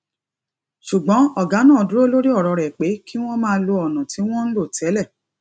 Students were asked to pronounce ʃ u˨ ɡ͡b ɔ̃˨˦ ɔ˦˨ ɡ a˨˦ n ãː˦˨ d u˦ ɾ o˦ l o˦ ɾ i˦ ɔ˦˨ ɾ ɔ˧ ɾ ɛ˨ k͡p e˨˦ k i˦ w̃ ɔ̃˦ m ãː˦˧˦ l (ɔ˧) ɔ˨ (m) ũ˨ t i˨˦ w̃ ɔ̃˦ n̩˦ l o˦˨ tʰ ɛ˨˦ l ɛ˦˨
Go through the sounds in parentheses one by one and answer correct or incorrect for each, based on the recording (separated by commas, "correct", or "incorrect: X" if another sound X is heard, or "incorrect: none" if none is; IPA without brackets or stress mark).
incorrect: o˧, incorrect: n